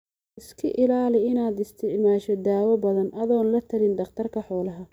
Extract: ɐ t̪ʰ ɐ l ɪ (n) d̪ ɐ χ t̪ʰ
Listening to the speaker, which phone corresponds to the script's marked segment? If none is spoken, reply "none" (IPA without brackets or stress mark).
n